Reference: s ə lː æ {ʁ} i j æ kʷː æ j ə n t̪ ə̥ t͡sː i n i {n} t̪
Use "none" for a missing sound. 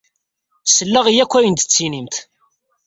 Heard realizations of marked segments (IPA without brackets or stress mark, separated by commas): ʁ, m